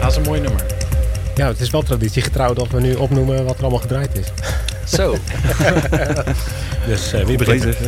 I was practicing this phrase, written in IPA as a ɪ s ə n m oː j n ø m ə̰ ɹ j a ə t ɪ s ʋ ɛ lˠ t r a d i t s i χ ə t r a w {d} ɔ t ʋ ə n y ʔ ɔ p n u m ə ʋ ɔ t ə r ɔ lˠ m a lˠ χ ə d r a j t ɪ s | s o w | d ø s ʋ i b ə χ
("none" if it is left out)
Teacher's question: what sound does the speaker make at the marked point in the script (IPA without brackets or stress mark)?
d